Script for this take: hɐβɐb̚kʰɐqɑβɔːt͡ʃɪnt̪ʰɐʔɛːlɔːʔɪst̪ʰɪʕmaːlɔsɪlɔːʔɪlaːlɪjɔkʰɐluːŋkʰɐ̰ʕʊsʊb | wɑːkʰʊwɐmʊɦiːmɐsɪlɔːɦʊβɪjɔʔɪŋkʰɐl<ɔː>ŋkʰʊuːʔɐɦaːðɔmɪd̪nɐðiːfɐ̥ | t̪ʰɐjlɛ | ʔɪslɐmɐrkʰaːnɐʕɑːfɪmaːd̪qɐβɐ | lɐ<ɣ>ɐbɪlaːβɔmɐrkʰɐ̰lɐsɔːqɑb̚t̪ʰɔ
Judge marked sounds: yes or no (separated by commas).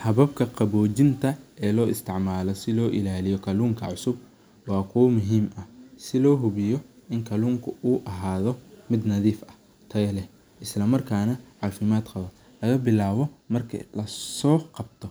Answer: no, yes